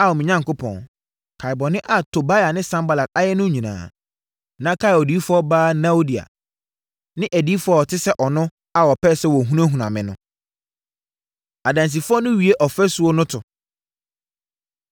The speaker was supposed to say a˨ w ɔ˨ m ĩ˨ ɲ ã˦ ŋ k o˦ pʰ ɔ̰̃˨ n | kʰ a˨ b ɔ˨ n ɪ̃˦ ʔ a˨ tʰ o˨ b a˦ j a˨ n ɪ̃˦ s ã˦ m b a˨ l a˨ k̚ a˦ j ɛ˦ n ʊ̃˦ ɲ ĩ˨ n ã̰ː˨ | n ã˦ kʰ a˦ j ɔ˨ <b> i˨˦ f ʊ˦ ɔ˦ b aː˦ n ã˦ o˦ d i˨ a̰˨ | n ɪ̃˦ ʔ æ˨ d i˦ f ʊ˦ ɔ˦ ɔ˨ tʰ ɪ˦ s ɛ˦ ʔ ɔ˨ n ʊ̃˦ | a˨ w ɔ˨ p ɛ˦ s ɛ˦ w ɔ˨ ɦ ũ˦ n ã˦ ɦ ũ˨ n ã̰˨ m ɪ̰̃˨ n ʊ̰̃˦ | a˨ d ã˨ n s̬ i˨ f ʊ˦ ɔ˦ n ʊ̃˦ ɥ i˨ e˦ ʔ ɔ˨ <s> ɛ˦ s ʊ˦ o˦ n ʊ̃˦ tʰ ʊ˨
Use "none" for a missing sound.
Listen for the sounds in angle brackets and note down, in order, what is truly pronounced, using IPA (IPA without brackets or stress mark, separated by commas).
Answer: d, f